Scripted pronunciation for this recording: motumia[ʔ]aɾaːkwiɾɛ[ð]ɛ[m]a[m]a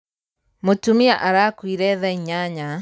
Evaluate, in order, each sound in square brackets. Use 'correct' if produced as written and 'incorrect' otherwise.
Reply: correct, correct, incorrect, incorrect

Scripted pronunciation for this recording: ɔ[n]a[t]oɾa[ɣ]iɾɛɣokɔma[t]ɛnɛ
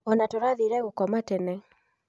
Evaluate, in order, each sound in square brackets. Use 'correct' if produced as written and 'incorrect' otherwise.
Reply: correct, correct, incorrect, correct

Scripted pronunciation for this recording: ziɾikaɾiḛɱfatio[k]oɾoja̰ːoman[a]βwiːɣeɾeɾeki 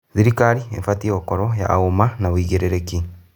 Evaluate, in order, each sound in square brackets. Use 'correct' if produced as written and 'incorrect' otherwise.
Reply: correct, correct

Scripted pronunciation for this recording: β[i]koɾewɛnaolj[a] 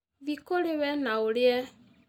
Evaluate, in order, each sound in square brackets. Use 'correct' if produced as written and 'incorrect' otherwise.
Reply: correct, incorrect

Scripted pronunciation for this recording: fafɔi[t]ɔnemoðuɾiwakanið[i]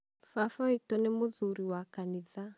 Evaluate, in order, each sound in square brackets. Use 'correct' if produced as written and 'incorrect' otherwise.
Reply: correct, incorrect

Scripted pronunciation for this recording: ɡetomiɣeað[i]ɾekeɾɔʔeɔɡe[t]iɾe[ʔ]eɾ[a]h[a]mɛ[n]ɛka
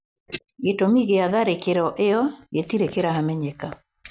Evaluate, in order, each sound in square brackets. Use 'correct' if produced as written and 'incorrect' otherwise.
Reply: incorrect, correct, incorrect, correct, correct, incorrect

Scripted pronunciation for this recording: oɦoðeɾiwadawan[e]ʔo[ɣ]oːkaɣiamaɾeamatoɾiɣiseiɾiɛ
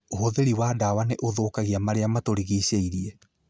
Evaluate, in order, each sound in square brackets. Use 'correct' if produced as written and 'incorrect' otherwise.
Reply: correct, incorrect

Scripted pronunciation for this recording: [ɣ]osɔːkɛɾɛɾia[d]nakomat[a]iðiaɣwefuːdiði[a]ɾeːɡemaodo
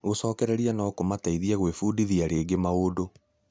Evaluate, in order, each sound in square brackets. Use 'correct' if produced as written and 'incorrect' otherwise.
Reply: correct, incorrect, correct, correct

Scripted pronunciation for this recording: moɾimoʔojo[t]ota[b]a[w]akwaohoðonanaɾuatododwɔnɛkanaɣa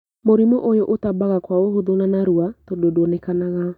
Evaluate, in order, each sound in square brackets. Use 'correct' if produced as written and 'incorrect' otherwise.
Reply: incorrect, correct, incorrect

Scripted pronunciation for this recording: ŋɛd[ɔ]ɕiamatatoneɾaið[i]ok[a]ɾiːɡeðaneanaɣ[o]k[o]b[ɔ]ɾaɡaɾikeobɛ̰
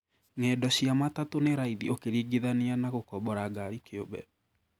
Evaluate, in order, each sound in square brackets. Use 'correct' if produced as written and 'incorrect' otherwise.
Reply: correct, correct, incorrect, correct, incorrect, correct

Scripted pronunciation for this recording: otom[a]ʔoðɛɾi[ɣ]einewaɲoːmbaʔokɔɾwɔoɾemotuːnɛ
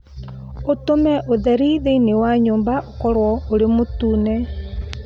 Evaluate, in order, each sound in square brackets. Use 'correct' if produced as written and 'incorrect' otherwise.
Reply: incorrect, incorrect

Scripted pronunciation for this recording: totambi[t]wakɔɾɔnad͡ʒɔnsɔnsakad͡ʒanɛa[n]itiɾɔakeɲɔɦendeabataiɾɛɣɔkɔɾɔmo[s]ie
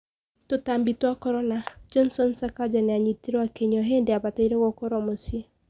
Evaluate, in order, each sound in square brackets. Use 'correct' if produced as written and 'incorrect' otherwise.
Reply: correct, incorrect, correct

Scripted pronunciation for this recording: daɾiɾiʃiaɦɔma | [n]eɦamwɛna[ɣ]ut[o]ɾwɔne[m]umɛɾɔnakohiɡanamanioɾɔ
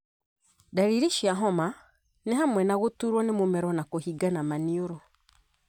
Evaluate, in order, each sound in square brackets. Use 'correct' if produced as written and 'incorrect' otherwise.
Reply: correct, correct, incorrect, correct

